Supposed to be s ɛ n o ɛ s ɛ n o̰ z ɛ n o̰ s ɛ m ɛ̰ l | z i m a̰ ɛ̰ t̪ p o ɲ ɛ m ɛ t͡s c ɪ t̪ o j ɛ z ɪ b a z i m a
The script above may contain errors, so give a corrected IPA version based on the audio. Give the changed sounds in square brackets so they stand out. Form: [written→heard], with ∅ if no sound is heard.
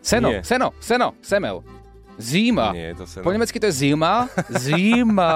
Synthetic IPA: s ɛ n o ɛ s ɛ n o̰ [z→s] ɛ n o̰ s ɛ m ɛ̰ l | z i m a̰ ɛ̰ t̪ p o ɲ ɛ m ɛ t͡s [c→k] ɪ t̪ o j ɛ z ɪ [b→m] a z i m a